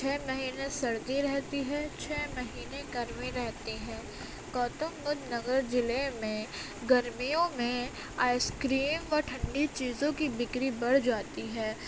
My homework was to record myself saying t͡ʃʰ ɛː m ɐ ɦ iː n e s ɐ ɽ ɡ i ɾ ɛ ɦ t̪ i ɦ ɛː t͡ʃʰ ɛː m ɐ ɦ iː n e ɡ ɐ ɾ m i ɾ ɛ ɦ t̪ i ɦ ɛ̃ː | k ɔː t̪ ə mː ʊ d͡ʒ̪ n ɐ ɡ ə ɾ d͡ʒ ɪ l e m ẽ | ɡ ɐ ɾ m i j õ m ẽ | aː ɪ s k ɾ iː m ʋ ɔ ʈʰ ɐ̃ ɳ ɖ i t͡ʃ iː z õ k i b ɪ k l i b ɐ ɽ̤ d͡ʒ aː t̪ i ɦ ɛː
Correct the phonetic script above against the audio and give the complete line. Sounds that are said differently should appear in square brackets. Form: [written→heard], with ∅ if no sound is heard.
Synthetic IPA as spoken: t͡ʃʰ ɛː m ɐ ɦ iː n e s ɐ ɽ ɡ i ɾ ɛ ɦ t̪ i ɦ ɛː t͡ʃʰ ɛː m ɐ ɦ iː n e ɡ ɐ ɾ m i ɾ ɛ ɦ t̪ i ɦ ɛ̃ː | k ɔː t̪ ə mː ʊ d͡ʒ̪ n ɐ ɡ ə ɾ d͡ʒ ɪ l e m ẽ | ɡ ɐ ɾ m i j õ m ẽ | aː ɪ s k ɾ iː m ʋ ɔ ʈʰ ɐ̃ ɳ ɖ i t͡ʃ iː z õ k i b ɪ k [l→ɾ] i b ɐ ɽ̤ d͡ʒ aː t̪ i ɦ ɛː